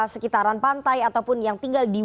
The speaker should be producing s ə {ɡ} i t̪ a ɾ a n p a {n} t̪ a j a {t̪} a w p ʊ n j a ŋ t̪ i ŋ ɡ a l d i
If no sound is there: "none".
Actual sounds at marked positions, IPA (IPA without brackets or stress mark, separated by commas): k, n, t̪